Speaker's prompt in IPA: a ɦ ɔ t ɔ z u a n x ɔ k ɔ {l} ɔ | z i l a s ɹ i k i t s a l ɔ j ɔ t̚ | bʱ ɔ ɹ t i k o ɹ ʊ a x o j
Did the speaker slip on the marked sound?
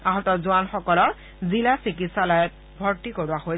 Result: no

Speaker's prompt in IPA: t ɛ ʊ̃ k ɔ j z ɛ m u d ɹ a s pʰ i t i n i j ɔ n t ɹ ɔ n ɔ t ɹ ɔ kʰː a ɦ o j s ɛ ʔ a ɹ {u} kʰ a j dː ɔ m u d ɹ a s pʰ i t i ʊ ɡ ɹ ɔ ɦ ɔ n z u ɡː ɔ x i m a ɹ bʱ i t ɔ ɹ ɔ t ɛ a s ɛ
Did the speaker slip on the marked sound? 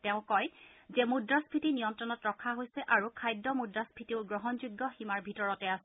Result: no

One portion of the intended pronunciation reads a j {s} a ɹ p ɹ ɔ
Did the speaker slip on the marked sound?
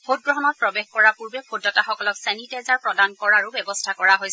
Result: yes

